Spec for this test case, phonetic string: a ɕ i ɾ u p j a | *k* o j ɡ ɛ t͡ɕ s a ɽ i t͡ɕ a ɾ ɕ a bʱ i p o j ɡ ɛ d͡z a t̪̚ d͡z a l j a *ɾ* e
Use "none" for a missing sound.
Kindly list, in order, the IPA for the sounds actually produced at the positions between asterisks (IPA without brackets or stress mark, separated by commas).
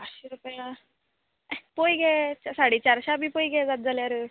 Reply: p, ɾ